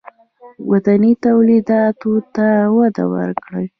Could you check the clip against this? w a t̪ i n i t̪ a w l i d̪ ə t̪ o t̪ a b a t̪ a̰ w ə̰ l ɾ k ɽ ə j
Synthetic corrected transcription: w a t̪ a n i t̪ a w l i d̪ ɑ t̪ o t̪ a w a d̪ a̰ w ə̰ ɾ k ɽ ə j

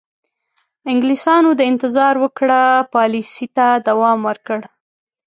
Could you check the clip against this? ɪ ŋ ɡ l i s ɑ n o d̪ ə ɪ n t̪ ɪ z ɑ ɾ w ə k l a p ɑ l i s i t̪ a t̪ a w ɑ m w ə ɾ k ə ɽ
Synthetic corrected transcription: ɪ ŋ ɡ l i s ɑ n o d̪ ə ɪ n t̪ ɪ z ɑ ɾ w ə k ɽ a p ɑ l i s i t̪ a d̪ a w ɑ m w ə ɾ k ə ɽ

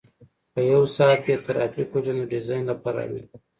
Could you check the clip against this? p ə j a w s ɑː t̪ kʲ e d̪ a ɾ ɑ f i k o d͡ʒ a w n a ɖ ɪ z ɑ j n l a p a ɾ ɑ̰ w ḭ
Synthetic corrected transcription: p ə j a w s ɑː t̪ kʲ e t̪ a ɾ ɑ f i k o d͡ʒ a n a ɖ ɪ z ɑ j n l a p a ɾ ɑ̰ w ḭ

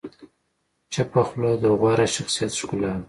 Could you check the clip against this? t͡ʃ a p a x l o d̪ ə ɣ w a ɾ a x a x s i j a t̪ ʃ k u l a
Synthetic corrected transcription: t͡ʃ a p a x l o d̪ ə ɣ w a ɾ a ʃ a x s i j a t̪ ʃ k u l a

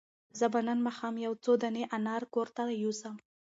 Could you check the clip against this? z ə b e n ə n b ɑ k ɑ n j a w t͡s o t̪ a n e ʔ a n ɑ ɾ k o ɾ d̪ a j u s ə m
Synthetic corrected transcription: z ə b a n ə n m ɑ x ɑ m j a w t͡s o d̪ a n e ʔ a n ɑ ɾ k o ɾ t̪ a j u s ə m

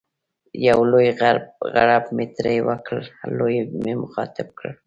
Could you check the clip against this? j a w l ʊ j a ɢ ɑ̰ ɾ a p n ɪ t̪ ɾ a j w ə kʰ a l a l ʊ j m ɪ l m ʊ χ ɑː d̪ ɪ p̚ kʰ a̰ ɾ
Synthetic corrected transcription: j a w l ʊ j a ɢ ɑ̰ ɾ a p m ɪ t̪ ɾ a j w a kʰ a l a l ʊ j m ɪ m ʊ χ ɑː t̪ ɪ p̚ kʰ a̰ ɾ

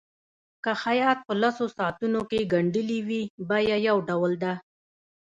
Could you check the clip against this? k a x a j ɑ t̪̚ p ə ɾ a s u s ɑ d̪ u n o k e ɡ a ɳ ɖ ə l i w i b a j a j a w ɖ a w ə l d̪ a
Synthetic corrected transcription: k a x a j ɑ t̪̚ p ə l a s o s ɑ t̪ u n o k e ɡ a ɳ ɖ ə l i w i b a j a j a w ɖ a w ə l d̪ a

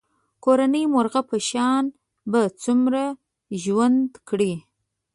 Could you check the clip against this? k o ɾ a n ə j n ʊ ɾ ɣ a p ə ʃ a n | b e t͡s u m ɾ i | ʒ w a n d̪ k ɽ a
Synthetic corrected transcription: k o ɾ a n ə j m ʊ ɾ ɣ a p ə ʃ ɑ n | b a t͡s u m ɾ a | ʒ w a n d̪ k ɽ i

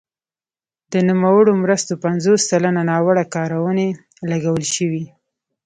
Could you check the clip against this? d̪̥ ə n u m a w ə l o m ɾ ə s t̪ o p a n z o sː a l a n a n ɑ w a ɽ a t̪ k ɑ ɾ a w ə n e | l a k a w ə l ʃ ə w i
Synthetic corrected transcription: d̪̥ ə n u m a w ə ɽ o m ɾ ə s t̪ o p a n z o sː a l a n a n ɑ w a ɽ a k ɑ ɾ a w ə n e | l a ɡ a w ə l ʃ ə w i

